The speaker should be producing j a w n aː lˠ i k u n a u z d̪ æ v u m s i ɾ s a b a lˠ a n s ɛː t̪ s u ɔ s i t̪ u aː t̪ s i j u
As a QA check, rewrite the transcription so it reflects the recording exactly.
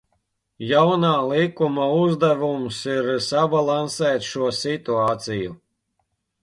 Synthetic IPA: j a w n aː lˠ i k u m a u z d̪ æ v u m s i ɾ s a b a lˠ a n s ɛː t̪ ʃ u ɔ s i t̪ u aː t̪ s i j u